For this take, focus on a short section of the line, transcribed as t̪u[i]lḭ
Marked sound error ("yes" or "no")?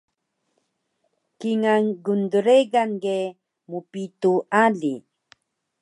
yes